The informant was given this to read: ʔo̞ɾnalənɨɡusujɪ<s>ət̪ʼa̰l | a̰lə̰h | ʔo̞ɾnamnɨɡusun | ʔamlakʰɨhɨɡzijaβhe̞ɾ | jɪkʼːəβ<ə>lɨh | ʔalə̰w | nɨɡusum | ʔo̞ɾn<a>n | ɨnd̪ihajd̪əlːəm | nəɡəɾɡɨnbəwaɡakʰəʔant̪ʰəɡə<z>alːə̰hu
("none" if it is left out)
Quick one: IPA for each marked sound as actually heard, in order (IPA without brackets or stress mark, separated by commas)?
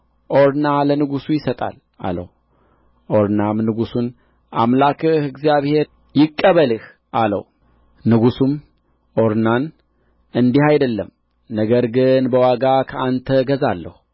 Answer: s, ə, a, z